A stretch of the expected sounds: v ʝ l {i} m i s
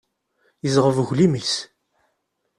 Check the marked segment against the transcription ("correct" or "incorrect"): correct